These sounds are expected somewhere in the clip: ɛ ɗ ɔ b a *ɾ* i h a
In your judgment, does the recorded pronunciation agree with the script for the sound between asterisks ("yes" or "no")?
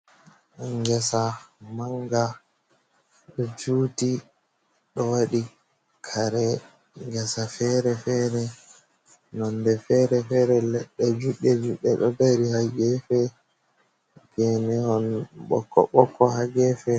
yes